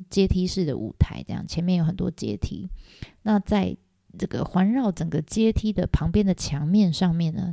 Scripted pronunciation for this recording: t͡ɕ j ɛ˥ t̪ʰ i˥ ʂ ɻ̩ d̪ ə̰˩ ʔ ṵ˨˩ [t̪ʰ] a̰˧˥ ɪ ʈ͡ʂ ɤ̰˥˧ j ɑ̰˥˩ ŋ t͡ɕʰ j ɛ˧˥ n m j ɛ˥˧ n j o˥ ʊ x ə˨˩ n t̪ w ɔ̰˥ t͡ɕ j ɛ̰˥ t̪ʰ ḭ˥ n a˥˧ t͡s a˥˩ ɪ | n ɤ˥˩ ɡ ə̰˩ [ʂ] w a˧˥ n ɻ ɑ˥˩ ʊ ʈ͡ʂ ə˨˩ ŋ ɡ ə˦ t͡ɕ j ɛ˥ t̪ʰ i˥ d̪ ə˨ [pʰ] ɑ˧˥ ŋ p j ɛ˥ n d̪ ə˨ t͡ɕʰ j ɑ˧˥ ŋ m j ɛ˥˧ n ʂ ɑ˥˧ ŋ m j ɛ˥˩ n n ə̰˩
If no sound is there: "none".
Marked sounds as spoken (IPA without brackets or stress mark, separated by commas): t̪ʰ, x, pʰ